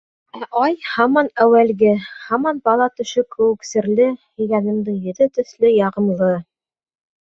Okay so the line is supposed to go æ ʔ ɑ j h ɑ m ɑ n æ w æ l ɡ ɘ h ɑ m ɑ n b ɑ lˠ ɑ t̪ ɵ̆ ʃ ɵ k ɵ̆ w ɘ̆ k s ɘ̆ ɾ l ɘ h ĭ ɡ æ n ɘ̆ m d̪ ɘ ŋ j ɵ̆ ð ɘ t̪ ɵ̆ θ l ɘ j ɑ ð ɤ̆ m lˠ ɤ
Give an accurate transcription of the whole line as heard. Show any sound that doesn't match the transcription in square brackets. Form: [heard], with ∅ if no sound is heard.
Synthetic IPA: æ ʔ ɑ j h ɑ m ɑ n æ w æ l ɡ ɘ h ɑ m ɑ n b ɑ lˠ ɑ t̪ ɵ̆ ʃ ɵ k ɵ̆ w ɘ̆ k s ɘ̆ ɾ l ɘ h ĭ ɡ æ n ɘ̆ m d̪ ɘ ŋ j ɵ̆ ð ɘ t̪ ɵ̆ θ l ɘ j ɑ [ʁ] ɤ̆ m lˠ ɤ